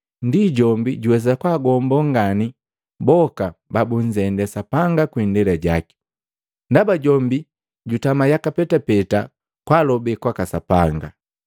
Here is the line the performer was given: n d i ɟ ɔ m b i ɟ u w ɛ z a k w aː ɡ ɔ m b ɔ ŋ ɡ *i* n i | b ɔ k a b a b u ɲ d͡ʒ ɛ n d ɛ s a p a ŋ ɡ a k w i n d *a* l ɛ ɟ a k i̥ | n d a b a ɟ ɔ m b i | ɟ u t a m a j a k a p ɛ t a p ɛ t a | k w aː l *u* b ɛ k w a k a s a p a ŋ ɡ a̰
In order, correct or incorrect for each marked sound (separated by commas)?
incorrect, incorrect, incorrect